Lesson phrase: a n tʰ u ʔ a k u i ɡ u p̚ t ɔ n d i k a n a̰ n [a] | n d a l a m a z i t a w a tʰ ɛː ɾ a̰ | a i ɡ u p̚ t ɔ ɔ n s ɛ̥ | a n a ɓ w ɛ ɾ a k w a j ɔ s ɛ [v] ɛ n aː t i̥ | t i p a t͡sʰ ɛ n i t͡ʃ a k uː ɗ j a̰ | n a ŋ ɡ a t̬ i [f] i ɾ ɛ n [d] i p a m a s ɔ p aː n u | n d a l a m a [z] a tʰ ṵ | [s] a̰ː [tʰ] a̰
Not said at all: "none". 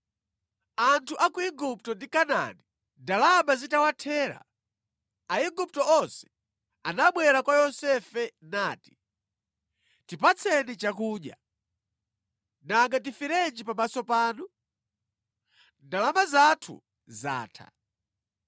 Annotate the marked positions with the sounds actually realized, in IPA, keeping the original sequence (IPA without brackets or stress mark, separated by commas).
i, f, f, d͡ʒ, z, z, tʰ